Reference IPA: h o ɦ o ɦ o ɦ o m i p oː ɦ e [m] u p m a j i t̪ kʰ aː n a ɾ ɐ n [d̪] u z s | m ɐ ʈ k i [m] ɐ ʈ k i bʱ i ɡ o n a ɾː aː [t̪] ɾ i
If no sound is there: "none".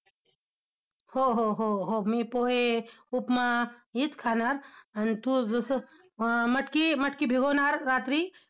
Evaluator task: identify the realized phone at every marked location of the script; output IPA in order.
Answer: none, t̪, m, t̪

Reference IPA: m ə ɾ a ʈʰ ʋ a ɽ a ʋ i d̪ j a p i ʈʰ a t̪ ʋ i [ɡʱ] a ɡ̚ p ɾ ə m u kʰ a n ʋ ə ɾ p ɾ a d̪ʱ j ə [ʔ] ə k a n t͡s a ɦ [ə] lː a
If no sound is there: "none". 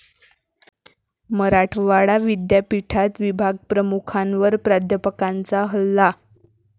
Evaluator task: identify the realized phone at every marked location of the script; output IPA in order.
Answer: bʱ, p, ə

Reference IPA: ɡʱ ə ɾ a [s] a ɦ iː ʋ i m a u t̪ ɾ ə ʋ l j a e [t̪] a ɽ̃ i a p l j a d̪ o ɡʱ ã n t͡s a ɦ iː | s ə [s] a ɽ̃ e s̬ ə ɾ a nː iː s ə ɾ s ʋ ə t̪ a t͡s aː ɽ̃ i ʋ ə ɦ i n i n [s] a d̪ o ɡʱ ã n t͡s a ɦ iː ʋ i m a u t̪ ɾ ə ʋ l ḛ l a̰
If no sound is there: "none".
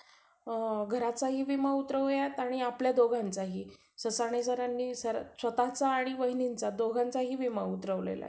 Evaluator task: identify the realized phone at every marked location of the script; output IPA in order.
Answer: t͡s, t̪, s, t͡s

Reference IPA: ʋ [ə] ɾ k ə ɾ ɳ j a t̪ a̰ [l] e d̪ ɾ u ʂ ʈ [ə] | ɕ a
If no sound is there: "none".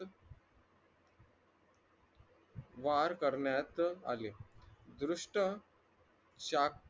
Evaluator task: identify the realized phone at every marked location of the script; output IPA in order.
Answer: a, l, ə

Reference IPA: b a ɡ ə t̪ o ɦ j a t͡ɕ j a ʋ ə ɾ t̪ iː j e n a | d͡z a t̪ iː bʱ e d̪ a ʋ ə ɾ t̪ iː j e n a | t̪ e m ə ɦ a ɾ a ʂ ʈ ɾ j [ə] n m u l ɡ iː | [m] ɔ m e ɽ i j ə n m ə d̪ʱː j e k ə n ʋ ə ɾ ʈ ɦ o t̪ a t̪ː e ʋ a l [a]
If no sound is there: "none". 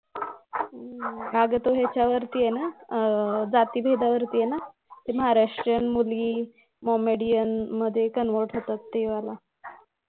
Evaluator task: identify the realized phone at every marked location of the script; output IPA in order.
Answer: ə, m, a

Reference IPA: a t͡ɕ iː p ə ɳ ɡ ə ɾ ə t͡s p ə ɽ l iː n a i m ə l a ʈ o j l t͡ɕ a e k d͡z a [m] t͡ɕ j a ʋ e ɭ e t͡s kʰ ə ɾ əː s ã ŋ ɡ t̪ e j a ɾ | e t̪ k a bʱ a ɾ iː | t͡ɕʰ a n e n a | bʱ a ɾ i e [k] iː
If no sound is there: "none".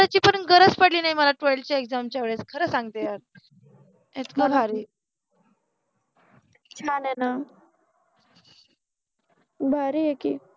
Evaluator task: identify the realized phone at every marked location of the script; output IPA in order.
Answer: m, k

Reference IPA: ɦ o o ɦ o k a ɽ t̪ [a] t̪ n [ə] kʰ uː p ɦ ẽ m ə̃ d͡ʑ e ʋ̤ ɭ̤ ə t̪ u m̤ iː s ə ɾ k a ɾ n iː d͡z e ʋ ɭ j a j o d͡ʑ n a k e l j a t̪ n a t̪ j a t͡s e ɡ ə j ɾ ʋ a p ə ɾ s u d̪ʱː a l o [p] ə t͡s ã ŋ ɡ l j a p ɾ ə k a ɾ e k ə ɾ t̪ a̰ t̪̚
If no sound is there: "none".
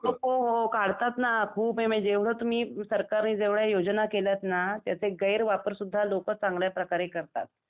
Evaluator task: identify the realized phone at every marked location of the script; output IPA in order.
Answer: a, a, k

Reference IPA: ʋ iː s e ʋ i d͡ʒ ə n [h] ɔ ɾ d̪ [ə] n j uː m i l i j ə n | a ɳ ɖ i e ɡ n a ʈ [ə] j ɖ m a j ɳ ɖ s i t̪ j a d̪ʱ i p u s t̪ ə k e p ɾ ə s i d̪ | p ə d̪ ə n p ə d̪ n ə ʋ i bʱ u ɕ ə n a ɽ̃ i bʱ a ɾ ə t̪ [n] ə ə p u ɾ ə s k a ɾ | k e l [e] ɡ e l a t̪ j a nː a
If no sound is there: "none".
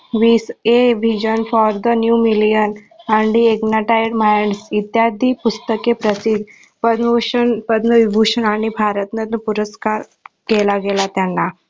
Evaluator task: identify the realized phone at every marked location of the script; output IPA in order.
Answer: f, ə, a, n, a

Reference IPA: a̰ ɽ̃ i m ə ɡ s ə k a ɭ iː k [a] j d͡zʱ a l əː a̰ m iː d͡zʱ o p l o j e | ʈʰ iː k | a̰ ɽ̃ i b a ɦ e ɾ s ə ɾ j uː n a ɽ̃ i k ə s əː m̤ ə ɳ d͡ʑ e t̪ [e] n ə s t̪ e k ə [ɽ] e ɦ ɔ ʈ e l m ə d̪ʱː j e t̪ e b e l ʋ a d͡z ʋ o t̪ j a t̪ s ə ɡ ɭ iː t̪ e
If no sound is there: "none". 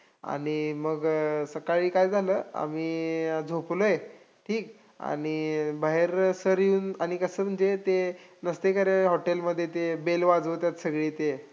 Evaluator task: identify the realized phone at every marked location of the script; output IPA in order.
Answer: a, e, ɾ

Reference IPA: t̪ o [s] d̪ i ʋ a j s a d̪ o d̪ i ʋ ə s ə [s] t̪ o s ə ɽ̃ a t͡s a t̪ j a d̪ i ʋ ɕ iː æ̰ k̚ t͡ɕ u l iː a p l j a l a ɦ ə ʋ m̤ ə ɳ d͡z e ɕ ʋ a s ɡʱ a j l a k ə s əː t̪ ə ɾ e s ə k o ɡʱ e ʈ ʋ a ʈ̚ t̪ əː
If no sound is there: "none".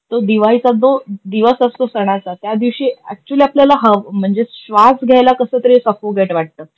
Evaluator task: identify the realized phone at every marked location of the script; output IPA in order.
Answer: none, s

